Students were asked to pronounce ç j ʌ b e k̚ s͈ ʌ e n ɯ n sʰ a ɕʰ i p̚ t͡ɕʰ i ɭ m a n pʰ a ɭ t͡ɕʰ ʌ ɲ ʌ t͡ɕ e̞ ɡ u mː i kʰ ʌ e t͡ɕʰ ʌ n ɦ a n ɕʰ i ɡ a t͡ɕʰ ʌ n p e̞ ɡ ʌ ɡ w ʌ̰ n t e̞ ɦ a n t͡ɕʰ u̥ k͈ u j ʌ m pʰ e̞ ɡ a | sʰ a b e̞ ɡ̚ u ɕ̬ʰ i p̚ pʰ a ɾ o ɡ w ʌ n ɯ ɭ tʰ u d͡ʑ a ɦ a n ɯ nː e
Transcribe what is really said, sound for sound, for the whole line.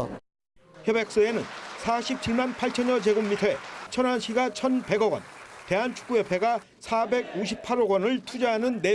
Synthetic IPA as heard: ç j ʌ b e k̚ s͈ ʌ e n ɯ n sʰ a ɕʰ i p̚ t͡ɕʰ i ɭ m a n pʰ a ɭ t͡ɕʰ ʌ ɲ ʌ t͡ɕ e̞ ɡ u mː i tʰ ʌ e t͡ɕʰ ʌ n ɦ a n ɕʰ i ɡ a t͡ɕʰ ʌ n p e̞ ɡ ʌ ɡ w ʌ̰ n t e̞ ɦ a n t͡ɕʰ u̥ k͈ u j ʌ pʰ e̞ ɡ a | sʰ a b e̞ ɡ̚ u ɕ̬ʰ i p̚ pʰ a ɾ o ɡ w ʌ n ɯ ɭ tʰ u d͡ʑ a ɦ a n ɯ nː e